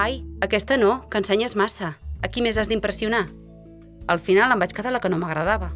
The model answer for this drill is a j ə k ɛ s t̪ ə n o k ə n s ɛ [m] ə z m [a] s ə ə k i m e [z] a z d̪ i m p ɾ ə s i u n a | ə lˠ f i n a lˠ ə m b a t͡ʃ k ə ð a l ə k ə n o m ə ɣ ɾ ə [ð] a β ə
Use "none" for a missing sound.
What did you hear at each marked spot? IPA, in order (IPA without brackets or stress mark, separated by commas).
ɲ, a, z, ð